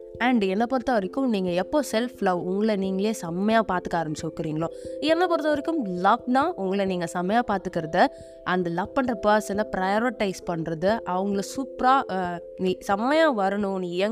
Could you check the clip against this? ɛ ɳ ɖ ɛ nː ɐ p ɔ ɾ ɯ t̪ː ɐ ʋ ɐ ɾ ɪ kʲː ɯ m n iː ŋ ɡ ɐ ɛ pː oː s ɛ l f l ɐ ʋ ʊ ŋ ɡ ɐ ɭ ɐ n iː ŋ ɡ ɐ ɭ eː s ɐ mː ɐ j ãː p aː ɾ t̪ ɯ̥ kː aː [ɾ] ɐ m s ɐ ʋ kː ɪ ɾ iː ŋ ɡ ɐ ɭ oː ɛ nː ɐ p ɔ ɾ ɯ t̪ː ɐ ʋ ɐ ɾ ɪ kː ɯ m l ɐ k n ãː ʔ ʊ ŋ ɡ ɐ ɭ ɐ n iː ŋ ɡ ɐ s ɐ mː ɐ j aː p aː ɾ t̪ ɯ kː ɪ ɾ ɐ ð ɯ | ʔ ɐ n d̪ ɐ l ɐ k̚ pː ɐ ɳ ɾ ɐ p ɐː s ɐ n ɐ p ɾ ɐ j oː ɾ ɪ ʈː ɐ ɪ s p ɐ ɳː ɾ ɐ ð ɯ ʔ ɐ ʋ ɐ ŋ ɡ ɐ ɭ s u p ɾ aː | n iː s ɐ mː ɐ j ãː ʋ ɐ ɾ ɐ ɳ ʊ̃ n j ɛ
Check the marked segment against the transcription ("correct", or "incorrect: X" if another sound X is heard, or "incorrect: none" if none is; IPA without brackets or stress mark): correct